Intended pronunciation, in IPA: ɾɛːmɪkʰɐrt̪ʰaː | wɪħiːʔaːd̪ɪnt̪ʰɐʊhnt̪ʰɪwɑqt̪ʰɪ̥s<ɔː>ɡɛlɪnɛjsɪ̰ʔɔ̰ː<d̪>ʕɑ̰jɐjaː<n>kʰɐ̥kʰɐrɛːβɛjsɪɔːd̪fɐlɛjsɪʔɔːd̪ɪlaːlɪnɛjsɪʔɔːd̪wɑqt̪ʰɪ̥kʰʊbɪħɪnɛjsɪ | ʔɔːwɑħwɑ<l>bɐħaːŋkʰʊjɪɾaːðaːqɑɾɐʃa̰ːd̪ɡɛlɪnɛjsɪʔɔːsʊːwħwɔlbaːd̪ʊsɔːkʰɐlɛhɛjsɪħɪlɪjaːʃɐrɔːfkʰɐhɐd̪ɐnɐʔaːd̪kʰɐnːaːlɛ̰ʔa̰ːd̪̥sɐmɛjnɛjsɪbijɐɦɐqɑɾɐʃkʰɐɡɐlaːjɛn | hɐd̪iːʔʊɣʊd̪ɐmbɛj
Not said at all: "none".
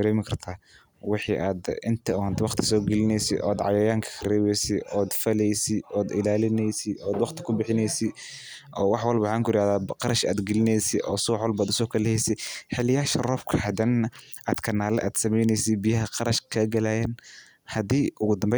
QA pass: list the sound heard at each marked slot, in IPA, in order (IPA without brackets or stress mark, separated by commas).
ɔː, d̪, ŋ, l